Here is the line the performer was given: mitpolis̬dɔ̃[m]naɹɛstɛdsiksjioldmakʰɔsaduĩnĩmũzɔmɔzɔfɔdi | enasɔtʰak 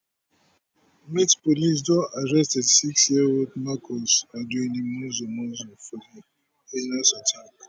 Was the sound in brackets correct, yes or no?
no